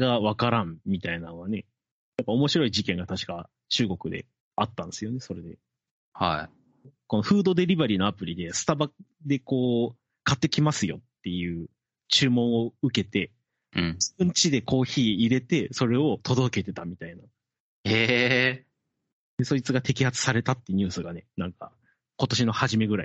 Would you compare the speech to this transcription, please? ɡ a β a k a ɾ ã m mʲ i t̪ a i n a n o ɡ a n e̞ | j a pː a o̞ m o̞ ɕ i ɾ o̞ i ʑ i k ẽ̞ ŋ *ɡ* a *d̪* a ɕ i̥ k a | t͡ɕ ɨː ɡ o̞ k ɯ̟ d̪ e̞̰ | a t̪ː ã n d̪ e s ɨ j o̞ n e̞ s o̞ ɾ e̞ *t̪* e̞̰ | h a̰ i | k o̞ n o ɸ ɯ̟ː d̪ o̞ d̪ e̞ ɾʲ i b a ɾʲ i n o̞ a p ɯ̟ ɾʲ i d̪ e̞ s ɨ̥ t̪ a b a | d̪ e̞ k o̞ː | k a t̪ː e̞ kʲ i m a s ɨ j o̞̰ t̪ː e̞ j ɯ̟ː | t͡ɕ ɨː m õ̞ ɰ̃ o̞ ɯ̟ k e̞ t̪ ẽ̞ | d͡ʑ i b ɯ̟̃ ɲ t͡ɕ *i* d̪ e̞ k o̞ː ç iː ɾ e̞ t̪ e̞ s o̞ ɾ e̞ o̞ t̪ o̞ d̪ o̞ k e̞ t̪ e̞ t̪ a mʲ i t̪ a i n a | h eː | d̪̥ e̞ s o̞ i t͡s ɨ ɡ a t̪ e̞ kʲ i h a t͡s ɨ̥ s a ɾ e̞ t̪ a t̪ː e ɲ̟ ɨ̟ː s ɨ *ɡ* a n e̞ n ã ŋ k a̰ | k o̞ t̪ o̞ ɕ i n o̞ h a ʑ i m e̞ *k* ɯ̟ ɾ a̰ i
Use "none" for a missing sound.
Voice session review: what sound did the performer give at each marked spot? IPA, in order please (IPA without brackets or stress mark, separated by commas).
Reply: ɡ, t̪, d̪, i, ɡ, ɡ